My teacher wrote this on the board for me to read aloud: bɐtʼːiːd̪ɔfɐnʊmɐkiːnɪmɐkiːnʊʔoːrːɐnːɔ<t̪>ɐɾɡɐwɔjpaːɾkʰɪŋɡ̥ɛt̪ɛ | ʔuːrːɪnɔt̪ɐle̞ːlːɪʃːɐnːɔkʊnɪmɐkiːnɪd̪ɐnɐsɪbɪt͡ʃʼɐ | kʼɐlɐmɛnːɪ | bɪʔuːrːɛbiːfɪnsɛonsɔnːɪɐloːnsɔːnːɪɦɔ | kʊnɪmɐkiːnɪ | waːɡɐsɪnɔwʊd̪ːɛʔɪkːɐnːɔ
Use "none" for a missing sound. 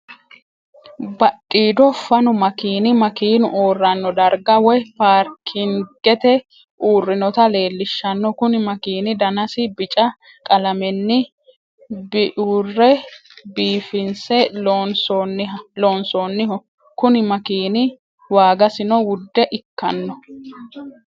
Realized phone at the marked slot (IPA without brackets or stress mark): d̪